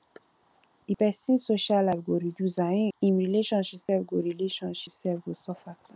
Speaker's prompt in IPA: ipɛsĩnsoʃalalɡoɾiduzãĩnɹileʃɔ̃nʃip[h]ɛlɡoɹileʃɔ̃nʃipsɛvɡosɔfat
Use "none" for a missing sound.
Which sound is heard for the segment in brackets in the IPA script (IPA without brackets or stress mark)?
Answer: s